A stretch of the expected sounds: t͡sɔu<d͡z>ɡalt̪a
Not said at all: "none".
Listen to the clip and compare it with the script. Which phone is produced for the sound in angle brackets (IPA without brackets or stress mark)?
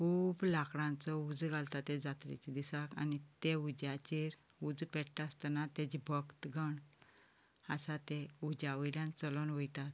d͡z